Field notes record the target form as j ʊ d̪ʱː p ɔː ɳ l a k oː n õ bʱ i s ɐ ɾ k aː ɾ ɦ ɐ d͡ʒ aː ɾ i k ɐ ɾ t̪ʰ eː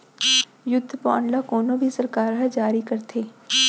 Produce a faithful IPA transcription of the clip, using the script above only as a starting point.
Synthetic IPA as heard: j ʊ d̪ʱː p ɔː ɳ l a k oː n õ bʱ i s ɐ ɾ k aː ɾ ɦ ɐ d͡ʒ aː ɾ i k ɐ ɾ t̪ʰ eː